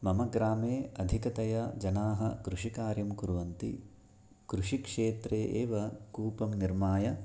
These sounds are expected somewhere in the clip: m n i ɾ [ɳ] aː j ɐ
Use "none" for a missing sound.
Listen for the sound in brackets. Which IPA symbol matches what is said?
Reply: m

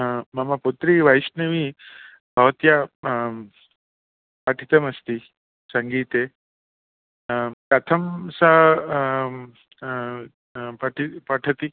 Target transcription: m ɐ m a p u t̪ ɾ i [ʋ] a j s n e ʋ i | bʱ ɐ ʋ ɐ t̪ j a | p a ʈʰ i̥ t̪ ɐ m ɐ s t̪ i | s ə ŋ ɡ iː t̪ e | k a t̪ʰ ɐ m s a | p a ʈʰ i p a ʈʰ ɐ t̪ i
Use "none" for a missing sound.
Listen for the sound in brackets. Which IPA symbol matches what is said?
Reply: ʋ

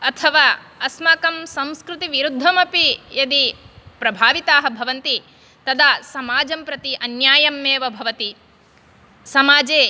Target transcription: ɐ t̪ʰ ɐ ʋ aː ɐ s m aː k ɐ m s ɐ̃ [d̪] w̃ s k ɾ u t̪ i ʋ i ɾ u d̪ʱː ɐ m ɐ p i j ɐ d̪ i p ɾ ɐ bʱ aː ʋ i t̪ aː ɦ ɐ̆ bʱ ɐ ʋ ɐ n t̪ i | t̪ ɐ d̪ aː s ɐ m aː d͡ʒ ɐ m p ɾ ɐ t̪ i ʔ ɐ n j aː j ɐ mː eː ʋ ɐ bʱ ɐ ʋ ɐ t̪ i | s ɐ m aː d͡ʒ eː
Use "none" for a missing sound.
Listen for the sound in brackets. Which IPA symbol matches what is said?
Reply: none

